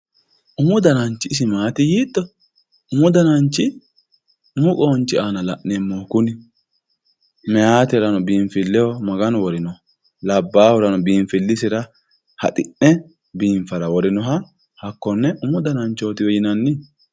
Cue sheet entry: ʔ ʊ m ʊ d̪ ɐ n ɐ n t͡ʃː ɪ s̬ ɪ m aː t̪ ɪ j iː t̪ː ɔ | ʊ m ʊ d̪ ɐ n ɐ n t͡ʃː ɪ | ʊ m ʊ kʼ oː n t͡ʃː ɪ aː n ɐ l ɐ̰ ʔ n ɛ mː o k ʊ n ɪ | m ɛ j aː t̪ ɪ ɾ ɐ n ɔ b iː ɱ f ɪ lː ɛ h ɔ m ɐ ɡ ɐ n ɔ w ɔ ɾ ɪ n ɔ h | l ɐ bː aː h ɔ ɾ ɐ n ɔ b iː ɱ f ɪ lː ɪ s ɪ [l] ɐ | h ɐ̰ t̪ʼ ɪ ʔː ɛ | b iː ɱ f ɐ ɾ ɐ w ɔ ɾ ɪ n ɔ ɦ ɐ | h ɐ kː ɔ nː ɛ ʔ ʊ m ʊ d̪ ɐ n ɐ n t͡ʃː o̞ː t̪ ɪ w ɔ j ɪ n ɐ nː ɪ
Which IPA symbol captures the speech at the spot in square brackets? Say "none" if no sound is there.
ɾ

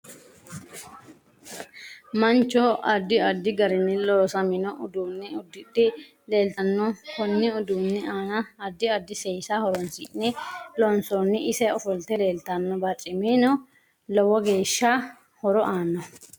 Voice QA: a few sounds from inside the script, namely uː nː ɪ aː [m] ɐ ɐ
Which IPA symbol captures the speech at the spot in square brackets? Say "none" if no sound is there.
n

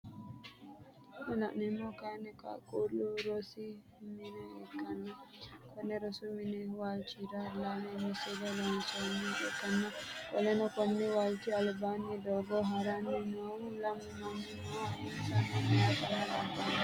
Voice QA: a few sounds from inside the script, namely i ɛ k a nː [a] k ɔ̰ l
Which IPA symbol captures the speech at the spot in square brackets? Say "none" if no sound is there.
a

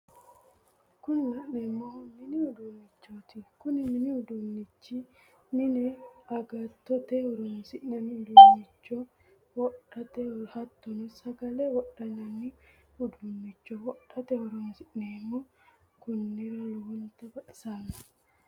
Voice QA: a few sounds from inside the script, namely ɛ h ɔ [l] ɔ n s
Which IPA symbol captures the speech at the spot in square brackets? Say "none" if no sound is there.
ɾ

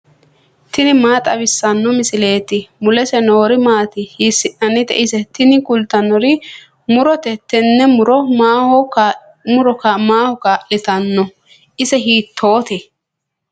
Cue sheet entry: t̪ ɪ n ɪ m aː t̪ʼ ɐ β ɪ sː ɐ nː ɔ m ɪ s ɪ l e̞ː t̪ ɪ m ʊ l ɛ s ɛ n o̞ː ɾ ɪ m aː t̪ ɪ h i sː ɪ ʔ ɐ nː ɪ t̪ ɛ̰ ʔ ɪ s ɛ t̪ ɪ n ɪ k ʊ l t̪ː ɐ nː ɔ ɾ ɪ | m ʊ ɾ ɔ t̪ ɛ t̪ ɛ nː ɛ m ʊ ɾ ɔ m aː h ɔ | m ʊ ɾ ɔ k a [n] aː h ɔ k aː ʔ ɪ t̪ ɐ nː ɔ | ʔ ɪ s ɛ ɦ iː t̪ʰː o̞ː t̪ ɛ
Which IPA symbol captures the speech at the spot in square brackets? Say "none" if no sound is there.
m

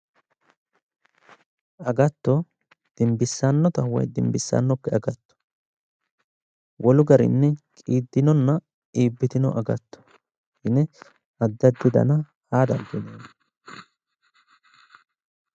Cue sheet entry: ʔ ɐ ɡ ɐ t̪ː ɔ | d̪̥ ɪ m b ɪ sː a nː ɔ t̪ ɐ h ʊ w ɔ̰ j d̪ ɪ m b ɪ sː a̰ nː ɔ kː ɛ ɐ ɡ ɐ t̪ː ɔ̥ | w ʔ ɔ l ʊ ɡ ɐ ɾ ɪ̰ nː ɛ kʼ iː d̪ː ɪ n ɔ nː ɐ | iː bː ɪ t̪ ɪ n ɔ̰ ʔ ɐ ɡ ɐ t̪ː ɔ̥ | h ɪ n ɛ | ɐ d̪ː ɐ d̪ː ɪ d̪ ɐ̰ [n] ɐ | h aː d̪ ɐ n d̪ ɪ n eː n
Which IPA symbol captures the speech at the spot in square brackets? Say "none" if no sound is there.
n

